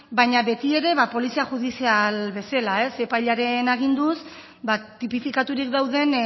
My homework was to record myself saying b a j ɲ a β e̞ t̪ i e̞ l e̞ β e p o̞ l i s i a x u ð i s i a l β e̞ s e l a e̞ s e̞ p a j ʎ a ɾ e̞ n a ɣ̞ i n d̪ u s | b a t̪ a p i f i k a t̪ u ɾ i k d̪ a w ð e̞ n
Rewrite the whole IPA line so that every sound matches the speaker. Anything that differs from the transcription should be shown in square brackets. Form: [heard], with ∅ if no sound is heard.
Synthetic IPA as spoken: b a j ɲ a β e̞ t̪ i e̞ [ɾ] e̞ β [a] p o̞ l i s i a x u ð i s i a l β e̞ s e l a e̞ s e̞ p a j ʎ a ɾ e̞ n a ɣ̞ i n d̪ u s | b a t̪ [i] p i f i k a t̪ u ɾ i k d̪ a w ð e̞ n